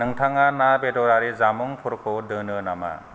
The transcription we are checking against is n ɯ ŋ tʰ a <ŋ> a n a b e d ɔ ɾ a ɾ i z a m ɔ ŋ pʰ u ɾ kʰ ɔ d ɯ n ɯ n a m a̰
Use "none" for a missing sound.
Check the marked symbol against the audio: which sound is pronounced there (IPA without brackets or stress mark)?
ŋ